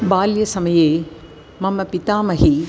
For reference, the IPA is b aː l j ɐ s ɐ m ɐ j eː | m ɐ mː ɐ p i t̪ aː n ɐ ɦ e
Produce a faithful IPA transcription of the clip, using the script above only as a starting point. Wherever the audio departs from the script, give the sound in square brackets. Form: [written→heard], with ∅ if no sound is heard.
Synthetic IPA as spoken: b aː l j ɐ s ɐ m ɐ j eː | m ɐ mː ɐ p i t̪ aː [n→m] ɐ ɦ [e→i]